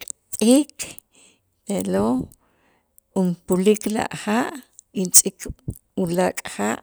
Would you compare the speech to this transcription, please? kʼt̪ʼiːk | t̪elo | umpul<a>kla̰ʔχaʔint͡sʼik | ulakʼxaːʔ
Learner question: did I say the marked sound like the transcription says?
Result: no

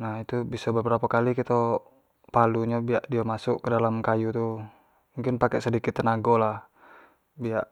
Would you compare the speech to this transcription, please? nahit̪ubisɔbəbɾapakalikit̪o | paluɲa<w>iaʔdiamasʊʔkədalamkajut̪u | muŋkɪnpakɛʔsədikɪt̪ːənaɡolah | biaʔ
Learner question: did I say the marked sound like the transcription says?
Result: no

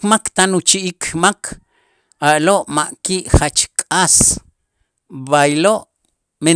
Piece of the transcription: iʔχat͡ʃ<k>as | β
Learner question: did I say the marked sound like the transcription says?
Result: no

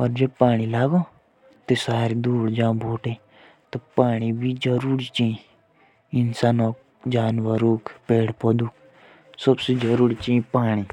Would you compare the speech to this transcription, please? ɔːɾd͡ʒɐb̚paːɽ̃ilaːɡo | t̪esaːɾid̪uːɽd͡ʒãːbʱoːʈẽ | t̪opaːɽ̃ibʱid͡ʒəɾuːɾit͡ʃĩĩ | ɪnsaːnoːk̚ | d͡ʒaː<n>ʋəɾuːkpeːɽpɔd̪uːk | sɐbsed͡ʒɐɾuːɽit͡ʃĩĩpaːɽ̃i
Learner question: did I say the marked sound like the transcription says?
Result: yes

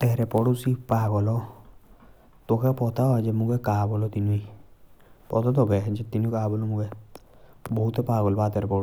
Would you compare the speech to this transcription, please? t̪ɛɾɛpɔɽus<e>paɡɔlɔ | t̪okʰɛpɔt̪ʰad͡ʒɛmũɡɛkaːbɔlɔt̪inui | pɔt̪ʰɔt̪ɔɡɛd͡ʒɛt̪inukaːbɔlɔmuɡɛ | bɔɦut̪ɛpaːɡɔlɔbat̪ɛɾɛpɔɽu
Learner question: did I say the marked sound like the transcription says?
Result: no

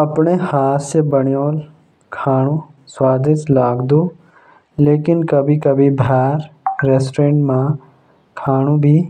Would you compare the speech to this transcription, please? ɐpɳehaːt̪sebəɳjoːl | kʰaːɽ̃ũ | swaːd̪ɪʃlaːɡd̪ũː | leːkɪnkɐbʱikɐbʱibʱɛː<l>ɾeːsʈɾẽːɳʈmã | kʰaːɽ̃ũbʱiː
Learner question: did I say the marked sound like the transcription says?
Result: no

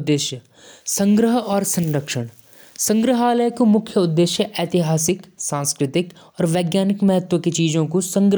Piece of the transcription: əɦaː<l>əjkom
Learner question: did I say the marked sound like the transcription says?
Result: yes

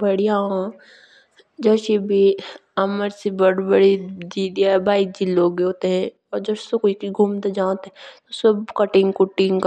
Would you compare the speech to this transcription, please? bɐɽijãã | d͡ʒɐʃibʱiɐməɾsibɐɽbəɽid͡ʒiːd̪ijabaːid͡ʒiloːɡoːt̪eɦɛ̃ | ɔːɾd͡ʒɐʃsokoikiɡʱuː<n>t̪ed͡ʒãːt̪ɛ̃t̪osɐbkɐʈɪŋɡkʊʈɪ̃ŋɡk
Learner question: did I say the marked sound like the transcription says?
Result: no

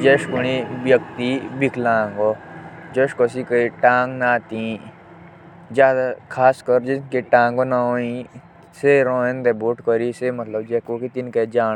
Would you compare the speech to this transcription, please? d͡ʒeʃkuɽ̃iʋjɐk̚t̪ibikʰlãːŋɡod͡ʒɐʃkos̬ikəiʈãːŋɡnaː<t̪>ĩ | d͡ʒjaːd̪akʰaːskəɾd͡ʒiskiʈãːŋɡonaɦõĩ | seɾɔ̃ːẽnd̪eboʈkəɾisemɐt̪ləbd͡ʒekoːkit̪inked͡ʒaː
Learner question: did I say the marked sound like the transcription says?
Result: yes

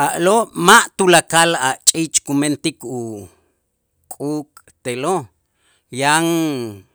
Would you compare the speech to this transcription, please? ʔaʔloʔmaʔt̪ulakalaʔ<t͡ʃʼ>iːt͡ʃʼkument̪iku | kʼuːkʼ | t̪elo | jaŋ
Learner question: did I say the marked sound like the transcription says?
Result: yes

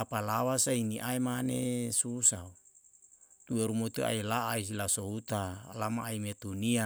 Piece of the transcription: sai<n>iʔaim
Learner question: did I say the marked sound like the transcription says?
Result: yes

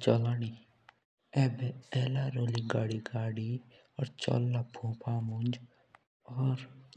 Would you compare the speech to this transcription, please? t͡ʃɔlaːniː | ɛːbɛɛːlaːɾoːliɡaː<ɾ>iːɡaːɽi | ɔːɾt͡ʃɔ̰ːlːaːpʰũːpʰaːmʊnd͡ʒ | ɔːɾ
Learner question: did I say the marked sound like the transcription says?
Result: no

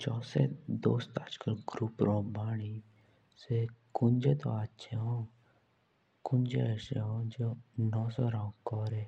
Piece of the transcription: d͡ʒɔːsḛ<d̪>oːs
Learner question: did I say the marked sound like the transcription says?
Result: yes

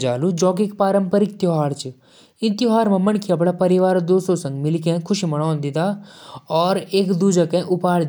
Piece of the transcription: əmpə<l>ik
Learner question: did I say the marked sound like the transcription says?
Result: no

